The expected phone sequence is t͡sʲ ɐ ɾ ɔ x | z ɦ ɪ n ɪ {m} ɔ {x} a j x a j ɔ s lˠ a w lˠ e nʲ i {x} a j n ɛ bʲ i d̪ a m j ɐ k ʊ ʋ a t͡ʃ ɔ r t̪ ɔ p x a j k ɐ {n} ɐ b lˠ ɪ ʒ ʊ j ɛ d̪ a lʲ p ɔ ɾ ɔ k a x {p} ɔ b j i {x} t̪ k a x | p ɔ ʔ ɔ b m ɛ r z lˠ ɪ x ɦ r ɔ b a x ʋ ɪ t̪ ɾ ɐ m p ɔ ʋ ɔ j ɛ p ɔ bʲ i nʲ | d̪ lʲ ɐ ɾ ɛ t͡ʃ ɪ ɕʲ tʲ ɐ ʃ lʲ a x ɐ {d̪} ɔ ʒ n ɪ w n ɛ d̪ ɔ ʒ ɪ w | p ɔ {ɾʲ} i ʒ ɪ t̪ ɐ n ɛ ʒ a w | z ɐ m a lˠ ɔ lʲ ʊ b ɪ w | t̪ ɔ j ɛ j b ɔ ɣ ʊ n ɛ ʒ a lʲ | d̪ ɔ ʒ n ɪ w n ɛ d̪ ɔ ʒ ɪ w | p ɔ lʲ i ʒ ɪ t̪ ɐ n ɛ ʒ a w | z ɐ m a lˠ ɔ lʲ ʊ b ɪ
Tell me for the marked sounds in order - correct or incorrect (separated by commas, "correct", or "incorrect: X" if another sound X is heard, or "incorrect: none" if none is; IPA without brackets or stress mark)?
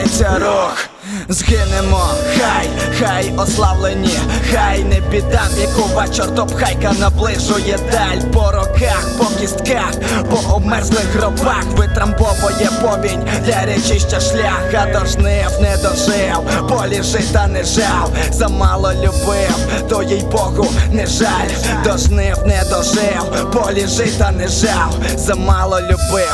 correct, correct, correct, correct, correct, incorrect: s, correct, incorrect: lʲ